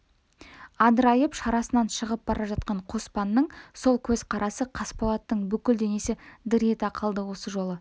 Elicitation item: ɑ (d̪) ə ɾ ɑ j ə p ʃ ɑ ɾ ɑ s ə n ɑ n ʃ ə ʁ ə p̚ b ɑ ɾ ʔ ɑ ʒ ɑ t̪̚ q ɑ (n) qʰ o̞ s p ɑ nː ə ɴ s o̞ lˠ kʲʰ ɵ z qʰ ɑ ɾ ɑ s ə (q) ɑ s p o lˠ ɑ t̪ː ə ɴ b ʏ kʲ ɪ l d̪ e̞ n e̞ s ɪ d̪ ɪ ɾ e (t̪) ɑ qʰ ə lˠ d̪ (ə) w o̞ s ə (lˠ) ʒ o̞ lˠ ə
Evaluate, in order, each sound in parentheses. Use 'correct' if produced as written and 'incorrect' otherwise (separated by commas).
correct, incorrect, incorrect, correct, correct, incorrect